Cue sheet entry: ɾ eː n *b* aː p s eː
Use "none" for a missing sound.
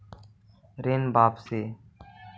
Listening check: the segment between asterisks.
b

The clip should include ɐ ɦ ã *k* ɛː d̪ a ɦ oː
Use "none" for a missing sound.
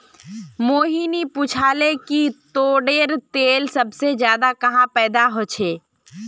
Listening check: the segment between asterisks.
p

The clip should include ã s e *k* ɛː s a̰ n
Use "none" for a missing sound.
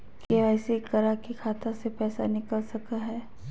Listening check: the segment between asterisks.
p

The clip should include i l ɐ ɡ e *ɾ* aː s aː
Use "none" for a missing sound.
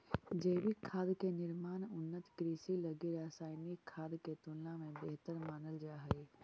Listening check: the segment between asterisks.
ɾ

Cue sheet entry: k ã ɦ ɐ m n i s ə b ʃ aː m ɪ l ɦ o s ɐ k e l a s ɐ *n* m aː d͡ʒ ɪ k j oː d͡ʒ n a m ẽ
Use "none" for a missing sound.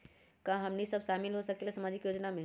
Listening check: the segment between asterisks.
none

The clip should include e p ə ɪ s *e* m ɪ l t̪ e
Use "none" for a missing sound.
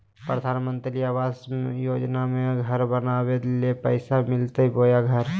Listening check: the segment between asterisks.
a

